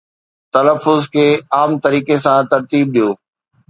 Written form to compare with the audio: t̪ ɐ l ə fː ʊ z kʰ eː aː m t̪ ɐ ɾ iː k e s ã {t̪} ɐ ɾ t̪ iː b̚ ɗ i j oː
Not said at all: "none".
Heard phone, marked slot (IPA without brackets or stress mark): t̪